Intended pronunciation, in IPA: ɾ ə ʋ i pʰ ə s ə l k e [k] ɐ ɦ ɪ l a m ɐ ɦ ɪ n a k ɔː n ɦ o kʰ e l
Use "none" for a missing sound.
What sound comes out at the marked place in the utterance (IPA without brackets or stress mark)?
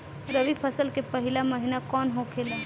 p